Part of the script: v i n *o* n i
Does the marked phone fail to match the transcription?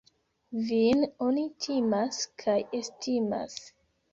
no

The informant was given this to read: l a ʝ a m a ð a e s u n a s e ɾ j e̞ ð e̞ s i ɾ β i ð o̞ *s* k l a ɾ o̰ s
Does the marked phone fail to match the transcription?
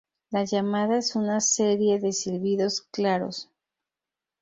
no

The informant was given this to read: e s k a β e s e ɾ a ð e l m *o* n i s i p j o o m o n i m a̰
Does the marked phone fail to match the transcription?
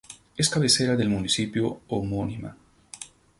yes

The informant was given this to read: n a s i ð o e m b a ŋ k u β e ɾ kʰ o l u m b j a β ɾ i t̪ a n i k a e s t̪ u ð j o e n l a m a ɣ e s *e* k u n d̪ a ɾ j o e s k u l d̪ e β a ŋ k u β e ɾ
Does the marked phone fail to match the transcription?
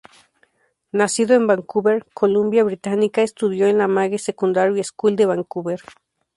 no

